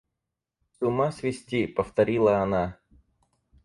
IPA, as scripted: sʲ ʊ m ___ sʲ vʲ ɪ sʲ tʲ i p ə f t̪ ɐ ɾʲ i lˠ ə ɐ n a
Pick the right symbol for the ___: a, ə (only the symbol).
a